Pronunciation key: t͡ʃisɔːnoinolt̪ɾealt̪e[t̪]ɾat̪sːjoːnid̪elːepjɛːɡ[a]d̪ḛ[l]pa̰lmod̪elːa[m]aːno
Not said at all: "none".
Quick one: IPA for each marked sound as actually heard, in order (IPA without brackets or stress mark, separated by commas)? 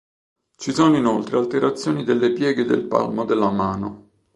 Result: none, e, l, m